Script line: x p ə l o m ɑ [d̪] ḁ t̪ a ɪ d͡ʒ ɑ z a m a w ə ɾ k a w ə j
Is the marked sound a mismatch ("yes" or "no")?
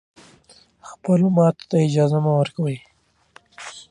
yes